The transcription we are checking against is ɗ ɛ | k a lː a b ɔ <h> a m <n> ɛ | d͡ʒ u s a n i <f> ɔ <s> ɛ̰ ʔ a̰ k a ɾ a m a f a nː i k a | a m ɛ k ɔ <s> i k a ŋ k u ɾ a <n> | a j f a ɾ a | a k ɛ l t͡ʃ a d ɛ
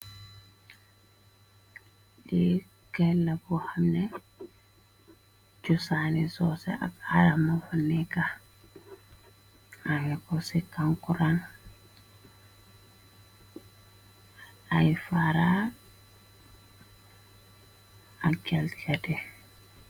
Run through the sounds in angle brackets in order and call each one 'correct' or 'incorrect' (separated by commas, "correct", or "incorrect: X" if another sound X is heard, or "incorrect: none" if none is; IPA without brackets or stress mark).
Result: correct, correct, incorrect: s, correct, correct, correct